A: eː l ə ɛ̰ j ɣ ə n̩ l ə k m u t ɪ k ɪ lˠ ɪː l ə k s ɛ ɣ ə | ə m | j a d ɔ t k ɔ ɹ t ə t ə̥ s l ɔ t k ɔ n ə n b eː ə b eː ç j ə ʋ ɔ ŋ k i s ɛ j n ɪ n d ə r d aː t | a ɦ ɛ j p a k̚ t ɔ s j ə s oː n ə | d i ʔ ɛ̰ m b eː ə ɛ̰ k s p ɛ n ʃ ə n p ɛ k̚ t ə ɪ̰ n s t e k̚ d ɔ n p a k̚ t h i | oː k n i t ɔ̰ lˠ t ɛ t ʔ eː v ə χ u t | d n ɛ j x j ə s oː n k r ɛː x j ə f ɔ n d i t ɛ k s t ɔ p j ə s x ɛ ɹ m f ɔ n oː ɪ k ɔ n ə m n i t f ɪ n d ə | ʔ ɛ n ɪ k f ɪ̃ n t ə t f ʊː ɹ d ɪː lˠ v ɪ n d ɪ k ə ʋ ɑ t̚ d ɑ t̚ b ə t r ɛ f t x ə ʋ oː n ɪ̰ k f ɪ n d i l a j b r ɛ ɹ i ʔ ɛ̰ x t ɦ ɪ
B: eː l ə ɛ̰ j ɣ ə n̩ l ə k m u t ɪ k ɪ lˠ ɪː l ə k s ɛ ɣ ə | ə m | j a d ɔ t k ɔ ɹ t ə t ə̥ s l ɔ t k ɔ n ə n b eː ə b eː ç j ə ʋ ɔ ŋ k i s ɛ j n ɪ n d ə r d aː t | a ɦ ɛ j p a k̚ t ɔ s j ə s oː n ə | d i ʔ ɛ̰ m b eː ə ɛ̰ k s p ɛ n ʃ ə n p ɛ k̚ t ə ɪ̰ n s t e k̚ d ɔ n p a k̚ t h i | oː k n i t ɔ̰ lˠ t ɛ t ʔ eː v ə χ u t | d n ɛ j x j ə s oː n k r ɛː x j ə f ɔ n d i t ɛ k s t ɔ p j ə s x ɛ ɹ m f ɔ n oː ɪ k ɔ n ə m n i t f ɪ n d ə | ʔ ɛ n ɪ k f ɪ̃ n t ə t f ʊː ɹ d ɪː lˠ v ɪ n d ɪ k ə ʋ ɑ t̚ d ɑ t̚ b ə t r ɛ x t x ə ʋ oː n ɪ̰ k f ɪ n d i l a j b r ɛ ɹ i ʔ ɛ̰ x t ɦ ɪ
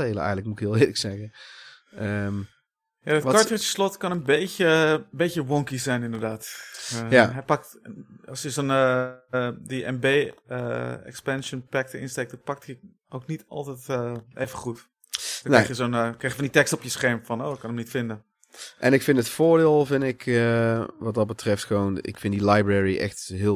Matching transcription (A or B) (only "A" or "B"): A